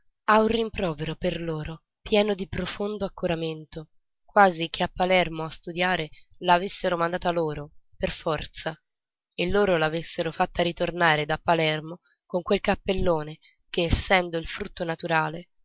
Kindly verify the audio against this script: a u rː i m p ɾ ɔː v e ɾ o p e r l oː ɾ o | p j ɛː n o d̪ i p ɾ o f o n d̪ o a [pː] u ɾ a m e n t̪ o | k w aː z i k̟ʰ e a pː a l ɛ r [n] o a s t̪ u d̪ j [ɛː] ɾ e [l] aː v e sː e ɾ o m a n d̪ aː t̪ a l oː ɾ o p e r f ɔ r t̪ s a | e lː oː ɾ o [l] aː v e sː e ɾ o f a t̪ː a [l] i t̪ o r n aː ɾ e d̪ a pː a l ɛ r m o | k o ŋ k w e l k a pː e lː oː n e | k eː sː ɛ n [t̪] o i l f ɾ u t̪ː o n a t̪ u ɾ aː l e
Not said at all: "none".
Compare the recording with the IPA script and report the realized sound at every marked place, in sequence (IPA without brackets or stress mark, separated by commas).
kː, m, aː, l, l, ɾ, d̪